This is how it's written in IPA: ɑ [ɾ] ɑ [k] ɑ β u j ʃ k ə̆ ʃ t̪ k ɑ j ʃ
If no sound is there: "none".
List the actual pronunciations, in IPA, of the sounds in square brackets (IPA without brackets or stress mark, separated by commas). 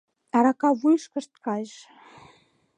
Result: ɾ, k